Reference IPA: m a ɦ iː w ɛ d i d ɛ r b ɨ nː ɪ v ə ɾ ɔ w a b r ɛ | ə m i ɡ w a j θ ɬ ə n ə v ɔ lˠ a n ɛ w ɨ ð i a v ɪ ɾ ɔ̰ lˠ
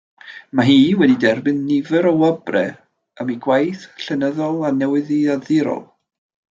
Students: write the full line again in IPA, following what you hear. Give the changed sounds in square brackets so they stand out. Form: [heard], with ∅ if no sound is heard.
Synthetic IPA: m a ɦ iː w ɛ d i d ɛ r b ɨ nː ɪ v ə ɾ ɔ w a b r ɛ | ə m i ɡ w a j θ ɬ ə n ə [ð] ɔ lˠ a n ɛ w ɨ ð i a [ð] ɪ ɾ ɔ̰ lˠ

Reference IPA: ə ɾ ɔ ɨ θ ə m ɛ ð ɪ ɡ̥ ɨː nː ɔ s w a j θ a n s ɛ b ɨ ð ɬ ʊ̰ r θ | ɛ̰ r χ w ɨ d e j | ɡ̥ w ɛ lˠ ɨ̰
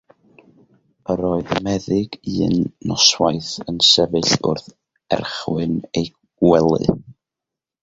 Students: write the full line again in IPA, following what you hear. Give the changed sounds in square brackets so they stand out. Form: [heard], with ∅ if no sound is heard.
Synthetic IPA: ə ɾ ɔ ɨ [ð] ə m ɛ ð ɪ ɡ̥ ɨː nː ɔ s w a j θ [ə] n s ɛ [v] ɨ [∅] ɬ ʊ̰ r θ | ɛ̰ r χ w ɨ [n] e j | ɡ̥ w ɛ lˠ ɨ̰

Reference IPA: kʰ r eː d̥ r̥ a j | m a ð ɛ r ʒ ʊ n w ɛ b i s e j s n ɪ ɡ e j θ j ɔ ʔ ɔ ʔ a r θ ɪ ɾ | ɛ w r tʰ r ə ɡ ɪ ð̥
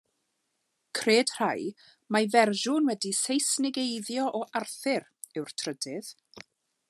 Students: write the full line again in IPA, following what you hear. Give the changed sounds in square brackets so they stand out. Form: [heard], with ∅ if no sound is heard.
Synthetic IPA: kʰ r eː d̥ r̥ a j | m a [v] ɛ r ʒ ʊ n w ɛ [d] i s e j s n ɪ ɡ e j [ð] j ɔ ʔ ɔ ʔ a r θ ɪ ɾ | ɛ w r tʰ r ə [d] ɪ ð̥

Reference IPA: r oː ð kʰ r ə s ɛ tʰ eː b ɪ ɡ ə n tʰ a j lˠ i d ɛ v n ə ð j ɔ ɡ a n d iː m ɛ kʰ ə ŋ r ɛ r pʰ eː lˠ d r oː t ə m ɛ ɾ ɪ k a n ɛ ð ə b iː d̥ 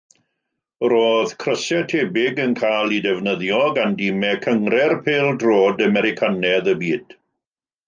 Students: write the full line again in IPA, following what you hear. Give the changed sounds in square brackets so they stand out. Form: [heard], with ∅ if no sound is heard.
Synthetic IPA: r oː ð kʰ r ə s ɛ tʰ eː b ɪ ɡ ə n [kʰ] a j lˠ i d ɛ v n ə ð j ɔ ɡ a n d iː m ɛ kʰ ə ŋ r ɛ r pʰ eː lˠ d r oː [d] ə m ɛ ɾ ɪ [kʰ] a n ɛ ð ə b iː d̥

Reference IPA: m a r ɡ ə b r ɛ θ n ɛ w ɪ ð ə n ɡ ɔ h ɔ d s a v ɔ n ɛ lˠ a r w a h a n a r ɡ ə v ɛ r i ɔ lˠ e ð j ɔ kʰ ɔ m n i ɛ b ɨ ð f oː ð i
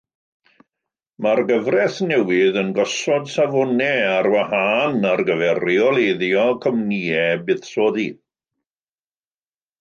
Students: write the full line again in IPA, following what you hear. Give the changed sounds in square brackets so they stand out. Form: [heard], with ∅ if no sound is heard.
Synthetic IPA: m a r ɡ ə [v] r ɛ θ n ɛ w ɪ ð ə n ɡ ɔ [s] ɔ d s a v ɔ n ɛ [∅] a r w a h a n a r ɡ ə v ɛ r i ɔ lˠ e ð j ɔ kʰ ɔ m n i ɛ b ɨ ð [s] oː ð i

